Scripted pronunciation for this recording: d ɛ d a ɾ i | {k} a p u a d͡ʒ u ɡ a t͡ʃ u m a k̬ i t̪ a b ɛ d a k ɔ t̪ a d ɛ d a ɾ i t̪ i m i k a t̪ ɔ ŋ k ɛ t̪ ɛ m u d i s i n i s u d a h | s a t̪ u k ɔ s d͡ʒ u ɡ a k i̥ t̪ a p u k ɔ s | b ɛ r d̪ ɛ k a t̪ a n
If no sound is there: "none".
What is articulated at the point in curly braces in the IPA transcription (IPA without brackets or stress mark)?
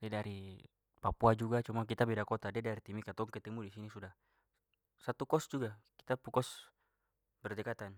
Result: p